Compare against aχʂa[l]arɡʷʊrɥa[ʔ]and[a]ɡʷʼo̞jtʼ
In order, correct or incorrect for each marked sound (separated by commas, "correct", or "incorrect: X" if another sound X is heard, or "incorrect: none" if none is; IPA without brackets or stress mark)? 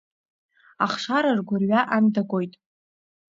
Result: incorrect: ɾ, correct, correct